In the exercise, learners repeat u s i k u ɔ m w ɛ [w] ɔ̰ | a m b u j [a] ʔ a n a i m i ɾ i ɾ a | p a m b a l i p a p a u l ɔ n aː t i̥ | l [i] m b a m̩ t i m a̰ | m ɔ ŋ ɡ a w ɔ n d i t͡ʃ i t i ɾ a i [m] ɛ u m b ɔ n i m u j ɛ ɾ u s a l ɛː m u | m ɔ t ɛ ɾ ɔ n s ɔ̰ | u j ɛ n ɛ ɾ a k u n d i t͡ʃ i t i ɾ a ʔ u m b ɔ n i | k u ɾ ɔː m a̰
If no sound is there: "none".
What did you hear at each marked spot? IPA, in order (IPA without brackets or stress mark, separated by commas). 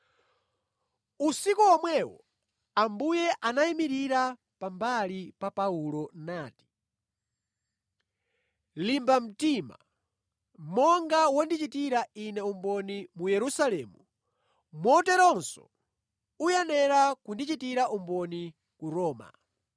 w, ɛ, i, n